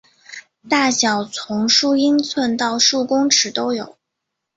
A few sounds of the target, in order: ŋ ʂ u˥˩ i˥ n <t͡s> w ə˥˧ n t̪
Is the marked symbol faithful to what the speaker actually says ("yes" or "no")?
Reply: no